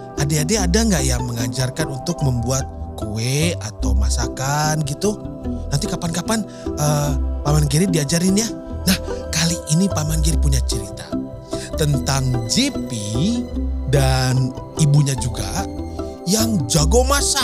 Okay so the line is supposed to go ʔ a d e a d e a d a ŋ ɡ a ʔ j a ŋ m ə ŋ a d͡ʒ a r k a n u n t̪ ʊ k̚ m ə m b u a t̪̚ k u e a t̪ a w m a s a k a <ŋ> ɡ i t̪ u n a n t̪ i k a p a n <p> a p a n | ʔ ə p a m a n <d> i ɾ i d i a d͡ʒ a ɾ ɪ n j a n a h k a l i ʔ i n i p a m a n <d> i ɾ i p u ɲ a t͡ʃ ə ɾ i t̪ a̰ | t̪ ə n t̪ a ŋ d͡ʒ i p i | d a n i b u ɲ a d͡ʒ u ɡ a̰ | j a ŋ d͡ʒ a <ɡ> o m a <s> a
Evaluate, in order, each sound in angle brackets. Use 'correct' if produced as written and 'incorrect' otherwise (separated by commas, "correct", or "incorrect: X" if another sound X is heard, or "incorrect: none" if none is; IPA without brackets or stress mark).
incorrect: n, incorrect: k, incorrect: ɡ, incorrect: ɡ, correct, correct